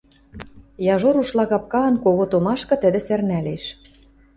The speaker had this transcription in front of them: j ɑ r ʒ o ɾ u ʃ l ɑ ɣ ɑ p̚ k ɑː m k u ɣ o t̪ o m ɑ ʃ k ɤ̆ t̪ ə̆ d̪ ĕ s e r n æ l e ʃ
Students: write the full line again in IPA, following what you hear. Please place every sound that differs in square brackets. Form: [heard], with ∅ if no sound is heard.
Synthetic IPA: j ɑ [∅] ʒ o ɾ u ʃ l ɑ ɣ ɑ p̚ k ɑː [n] k [o] ɣ o t̪ o m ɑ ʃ k ɤ̆ t̪ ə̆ d̪ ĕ s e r n æ l e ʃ